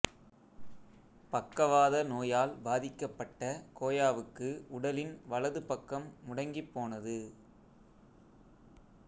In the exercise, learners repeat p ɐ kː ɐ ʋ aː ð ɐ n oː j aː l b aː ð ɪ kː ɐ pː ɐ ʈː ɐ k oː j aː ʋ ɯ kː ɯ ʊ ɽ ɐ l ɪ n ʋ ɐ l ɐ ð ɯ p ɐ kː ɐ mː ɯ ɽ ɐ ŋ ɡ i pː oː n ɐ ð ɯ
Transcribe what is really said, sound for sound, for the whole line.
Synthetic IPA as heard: p ɐ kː ɐ ʋ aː ð ɐ n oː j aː l b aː ð ɪ kː ɐ pː ɐ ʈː ɐ k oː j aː ʋ ɯ kː ɯ ʊ ɽ ɐ l ɪ n ʋ ɐ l ɐ ð ɯ p ɐ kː ɐ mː ʊ ɽ ɐ ŋ ɡ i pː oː n ɐ ð ɯ